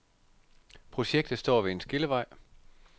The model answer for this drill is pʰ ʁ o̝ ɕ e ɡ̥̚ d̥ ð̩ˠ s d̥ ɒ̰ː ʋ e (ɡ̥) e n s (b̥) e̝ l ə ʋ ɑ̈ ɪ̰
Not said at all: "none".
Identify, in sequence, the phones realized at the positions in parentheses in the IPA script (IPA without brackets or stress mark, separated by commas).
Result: none, ɡ̥